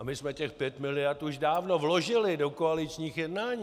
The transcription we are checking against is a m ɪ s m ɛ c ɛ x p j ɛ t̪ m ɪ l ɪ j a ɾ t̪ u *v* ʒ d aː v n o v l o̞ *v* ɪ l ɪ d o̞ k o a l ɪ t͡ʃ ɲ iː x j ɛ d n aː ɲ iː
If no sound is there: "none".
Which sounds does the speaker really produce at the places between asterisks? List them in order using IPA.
none, ʒ

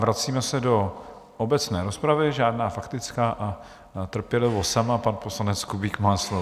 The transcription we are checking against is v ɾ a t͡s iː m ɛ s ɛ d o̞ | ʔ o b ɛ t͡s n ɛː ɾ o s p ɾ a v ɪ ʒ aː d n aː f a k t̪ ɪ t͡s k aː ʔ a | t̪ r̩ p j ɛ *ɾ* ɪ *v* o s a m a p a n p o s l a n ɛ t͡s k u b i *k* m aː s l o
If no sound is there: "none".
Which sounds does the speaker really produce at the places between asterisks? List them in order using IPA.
l, v, k

